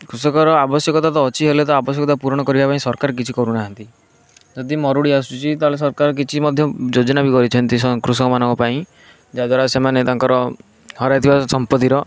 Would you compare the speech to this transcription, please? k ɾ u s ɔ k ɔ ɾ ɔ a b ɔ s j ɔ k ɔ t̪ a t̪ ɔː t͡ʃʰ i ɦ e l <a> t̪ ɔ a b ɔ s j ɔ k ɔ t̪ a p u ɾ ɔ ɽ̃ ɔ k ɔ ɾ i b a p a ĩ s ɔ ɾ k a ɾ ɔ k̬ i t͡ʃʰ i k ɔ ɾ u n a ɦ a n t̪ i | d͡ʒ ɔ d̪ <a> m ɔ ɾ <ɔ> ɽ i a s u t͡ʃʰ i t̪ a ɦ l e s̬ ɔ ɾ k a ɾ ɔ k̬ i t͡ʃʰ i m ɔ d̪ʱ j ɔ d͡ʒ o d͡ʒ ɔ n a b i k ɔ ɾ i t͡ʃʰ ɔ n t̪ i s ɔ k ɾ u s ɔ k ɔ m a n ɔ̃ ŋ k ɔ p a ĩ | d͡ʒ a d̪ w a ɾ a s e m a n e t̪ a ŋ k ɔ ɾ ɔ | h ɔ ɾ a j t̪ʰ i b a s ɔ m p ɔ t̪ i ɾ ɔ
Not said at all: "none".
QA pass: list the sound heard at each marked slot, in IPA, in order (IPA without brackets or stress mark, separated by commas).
e, i, u